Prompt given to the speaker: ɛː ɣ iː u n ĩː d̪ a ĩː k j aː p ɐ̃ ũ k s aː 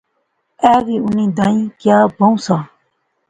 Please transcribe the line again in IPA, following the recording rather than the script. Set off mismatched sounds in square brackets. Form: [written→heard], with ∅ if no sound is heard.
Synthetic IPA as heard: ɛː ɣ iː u n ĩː d̪ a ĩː k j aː [p→b] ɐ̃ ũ [k→∅] s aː